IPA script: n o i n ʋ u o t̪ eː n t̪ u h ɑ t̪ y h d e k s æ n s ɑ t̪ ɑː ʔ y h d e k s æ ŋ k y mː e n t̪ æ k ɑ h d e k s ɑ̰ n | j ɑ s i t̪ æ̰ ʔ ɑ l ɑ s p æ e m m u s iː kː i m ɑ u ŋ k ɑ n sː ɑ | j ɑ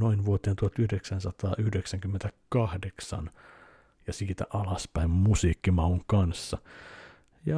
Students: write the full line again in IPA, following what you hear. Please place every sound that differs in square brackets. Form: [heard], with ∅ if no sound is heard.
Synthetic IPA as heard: n o i n ʋ u o t̪ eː n t̪ u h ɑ t̪ y h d e k s æ n s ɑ t̪ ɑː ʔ y h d e k s æ ŋ k y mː e n t̪ æ k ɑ h d e k s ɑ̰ n | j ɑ s [iː] t̪ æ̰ ʔ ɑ l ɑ s p æ [i] m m u s iː kː i m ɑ u ŋ k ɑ n sː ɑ | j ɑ